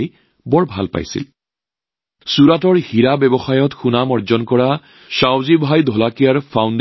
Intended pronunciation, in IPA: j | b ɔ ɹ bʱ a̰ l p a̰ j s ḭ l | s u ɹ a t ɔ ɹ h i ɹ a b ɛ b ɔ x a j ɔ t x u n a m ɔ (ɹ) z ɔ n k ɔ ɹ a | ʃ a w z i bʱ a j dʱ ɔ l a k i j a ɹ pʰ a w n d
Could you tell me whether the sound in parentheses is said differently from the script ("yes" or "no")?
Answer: no